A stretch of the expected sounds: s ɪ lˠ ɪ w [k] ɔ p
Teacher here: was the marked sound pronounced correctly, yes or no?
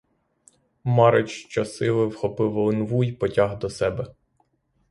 no